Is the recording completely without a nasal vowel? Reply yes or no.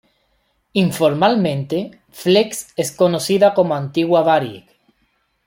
no